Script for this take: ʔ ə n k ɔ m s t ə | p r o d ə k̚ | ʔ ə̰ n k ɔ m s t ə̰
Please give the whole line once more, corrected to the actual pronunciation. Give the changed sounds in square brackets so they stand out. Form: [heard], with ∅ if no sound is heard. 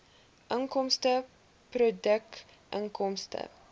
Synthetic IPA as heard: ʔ ə [ŋ] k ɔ m s t ə | p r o d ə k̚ | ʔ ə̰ [ŋ] k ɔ m s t ə̰

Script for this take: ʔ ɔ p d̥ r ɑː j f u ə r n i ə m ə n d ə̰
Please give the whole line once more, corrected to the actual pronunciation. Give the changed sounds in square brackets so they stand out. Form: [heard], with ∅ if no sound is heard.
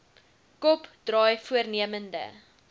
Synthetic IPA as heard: [k] ɔ p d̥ r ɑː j f u ə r n i ə m ə n d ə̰

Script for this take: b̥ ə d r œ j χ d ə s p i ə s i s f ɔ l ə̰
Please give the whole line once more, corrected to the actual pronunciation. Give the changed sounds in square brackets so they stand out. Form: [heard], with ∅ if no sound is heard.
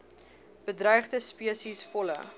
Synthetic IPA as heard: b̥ ə d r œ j χ d ə s p i ə s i s f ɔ l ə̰

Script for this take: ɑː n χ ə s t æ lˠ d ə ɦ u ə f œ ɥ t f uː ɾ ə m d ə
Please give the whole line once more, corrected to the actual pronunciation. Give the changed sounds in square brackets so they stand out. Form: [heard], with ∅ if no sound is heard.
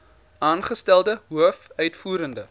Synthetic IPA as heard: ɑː n χ ə s t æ lˠ d ə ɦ u ə f œ ɥ t f uː ɾ ə [n] d ə

